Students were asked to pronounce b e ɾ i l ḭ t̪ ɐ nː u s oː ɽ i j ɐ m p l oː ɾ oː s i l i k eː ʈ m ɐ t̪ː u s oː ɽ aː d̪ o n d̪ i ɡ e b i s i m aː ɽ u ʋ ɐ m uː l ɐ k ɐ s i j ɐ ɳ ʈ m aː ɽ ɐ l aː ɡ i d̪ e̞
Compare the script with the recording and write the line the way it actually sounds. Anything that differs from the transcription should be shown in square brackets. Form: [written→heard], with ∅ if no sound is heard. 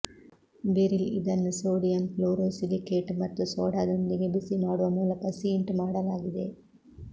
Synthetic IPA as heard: b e ɾ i l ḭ [t̪→d̪] ɐ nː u s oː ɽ i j ɐ m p l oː ɾ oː s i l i k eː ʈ m ɐ t̪ː u s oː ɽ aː d̪ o n d̪ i ɡ e b i s i m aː ɽ u ʋ ɐ m uː l ɐ k ɐ s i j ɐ ɳ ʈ m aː ɽ ɐ l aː ɡ i d̪ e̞